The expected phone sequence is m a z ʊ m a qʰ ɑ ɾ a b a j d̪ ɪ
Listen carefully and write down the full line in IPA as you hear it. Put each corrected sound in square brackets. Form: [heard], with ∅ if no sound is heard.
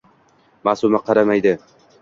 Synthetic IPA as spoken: m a [s] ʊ m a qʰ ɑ ɾ a [m] a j d̪ ɪ

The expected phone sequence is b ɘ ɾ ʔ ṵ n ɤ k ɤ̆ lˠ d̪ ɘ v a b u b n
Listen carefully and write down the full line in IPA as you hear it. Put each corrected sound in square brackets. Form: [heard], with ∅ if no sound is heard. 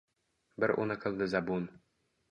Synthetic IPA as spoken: b ɘ ɾ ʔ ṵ n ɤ k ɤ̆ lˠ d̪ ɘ [z] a b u [∅] n

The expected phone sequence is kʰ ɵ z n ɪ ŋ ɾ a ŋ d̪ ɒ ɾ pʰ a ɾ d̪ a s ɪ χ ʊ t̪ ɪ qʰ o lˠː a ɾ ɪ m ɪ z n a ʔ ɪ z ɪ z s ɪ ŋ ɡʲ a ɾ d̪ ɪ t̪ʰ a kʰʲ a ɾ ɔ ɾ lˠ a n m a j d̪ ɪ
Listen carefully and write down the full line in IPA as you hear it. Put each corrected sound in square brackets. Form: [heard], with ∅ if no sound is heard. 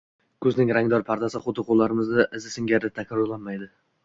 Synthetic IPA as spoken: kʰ ɵ z n ɪ ŋ ɾ a ŋ d̪ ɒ ɾ pʰ a ɾ d̪ a s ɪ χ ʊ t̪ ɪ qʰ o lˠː a ɾ ɪ m ɪ z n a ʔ ɪ z ɪ [∅] s ɪ ŋ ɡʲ a ɾ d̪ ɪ t̪ʰ a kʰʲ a ɾ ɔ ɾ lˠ a n m a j d̪ ɪ

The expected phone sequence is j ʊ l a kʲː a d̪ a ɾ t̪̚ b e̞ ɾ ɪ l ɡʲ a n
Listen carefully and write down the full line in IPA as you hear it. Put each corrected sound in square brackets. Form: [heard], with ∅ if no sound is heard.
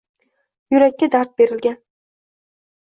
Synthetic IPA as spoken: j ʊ [ɾ] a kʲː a d̪ a ɾ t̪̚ b e̞ ɾ ɪ l ɡʲ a n

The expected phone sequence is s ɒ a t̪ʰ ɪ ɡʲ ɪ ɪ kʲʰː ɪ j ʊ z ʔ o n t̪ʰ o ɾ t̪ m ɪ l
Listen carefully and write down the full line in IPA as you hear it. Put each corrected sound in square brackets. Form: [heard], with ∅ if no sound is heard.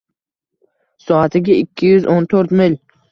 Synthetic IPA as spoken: s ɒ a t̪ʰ ɪ ɡʲ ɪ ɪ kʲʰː ɪ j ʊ z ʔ o n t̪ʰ o ɾ t̪ m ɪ l

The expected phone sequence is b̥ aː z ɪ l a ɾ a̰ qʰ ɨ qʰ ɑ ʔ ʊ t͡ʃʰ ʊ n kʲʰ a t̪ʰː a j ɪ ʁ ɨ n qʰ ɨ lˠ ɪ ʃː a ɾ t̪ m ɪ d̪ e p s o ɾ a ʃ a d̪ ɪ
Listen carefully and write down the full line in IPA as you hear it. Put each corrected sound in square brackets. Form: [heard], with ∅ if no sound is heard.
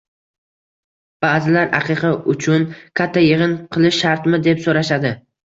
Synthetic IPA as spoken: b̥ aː z ɪ l a ɾ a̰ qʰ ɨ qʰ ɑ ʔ ʊ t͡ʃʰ ʊ n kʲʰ a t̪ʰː a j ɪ ʁ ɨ n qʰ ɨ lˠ ɪ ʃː a ɾ t̪ m ɪ d̪ e p s o ɾ a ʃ a d̪ ɪ

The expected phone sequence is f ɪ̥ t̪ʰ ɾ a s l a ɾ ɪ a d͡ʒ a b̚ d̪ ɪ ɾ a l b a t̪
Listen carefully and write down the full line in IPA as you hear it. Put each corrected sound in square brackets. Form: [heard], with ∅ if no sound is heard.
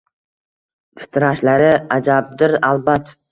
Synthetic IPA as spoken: f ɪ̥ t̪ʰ ɾ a [ʃ] l a ɾ ɪ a d͡ʒ a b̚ d̪ ɪ ɾ a l b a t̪

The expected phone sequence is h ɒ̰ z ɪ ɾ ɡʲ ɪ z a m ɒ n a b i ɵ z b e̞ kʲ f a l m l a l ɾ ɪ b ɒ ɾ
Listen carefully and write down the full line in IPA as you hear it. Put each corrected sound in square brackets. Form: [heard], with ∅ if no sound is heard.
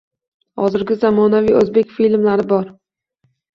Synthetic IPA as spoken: h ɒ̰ z ɪ ɾ ɡʲ ɪ z a m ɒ n a [v] i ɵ z b e̞ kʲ f [i] l m l a [∅] ɾ ɪ b ɒ ɾ

